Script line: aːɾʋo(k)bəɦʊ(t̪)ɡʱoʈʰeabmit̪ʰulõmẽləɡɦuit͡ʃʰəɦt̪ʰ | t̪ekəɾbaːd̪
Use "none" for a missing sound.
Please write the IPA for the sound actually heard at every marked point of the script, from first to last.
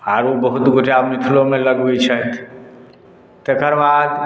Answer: none, t̪

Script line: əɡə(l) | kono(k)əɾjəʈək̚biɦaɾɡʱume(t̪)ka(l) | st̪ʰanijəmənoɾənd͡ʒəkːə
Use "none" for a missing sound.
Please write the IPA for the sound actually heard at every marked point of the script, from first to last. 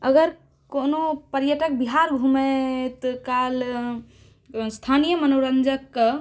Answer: ɾ, p, t̪, l

